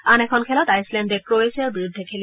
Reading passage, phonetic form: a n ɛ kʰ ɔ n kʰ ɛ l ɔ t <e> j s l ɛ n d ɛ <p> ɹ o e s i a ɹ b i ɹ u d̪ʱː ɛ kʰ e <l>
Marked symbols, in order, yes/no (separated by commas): no, no, yes